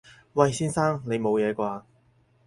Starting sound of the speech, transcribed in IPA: w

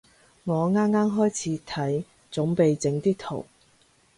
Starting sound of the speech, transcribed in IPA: ŋ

